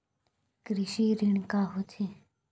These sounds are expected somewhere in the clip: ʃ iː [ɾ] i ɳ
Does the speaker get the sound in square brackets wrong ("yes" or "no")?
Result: no